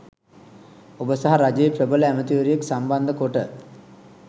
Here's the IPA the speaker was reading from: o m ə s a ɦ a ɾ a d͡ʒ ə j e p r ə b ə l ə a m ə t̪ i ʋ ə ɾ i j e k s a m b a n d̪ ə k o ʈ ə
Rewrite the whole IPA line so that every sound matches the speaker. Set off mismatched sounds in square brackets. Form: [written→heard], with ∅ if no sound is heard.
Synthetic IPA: o [m→b] ə s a ɦ a ɾ a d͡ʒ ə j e p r ə b ə l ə [a→æ] m ə t̪ i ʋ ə ɾ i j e k s a m b a n d̪ ə k o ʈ ə